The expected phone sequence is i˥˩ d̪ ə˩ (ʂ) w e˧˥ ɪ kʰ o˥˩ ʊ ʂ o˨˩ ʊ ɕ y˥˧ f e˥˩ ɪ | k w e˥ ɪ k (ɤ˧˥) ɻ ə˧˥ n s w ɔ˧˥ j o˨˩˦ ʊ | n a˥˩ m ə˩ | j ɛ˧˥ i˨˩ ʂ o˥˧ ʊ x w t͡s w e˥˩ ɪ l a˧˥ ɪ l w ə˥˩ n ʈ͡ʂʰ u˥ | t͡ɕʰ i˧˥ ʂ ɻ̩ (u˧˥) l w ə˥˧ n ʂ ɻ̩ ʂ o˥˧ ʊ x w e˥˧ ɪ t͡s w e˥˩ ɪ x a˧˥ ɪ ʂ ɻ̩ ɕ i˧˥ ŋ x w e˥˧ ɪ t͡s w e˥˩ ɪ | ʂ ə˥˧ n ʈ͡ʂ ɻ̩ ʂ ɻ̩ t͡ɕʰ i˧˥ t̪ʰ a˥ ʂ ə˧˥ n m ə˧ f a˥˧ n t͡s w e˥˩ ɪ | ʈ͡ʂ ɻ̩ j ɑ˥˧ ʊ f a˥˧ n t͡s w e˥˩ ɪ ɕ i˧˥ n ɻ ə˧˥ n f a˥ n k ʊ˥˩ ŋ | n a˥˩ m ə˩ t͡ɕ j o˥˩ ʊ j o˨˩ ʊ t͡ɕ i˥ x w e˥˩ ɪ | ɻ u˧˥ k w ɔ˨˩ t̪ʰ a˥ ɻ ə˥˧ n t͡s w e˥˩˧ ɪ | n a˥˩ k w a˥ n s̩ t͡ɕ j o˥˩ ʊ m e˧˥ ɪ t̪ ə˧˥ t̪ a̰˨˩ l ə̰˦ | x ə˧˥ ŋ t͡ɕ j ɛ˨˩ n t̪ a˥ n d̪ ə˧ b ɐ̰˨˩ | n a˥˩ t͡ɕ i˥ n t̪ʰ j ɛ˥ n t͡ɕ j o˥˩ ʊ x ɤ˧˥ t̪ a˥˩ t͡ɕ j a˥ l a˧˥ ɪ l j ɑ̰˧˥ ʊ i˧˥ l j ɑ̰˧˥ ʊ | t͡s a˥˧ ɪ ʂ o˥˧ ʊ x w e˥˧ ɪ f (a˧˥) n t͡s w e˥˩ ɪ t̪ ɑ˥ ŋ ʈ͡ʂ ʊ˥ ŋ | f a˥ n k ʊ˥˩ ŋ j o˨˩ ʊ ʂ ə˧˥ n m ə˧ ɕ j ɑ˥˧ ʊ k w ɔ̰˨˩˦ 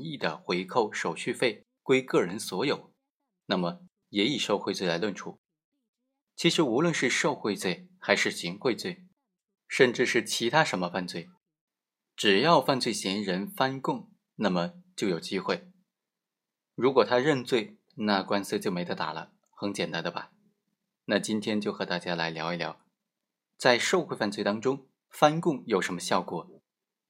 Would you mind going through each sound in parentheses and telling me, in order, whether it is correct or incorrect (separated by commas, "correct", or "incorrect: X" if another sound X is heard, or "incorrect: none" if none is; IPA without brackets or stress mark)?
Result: incorrect: x, incorrect: ɤ˥˩, correct, incorrect: a˥˧